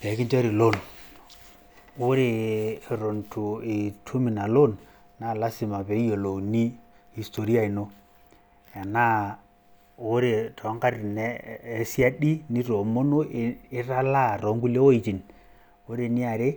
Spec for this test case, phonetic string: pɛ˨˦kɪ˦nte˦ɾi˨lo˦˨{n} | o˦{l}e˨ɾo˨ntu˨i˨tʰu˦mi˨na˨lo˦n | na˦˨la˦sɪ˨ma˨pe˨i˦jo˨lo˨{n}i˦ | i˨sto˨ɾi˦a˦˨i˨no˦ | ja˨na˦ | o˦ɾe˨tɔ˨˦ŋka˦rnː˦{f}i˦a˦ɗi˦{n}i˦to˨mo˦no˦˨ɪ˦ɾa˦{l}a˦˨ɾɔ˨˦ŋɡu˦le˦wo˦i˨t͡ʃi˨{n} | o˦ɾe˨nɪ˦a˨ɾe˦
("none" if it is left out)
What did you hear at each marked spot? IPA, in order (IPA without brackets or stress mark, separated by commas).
n, ɾ, n, s, n, l, n